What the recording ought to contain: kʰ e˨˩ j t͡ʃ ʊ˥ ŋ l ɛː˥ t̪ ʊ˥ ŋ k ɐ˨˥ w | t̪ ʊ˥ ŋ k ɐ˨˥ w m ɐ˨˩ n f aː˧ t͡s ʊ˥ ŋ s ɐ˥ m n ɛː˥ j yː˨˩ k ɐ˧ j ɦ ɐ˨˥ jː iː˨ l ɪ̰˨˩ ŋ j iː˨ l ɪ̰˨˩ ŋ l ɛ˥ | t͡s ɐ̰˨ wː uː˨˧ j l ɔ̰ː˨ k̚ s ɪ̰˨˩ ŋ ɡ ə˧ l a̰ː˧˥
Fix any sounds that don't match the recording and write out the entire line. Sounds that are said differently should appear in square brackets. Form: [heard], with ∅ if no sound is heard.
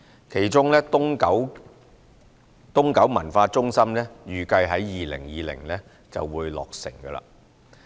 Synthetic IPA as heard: kʰ e˨˩ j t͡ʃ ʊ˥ ŋ l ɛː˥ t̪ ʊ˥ ŋ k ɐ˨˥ w | t̪ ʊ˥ ŋ k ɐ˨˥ w m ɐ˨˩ n f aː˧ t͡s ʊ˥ ŋ s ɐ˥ m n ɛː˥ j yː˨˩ k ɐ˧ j ɦ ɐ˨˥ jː iː˨ l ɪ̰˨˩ ŋ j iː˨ l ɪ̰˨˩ ŋ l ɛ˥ | t͡s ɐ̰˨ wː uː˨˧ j l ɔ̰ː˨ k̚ s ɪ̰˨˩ ŋ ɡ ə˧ l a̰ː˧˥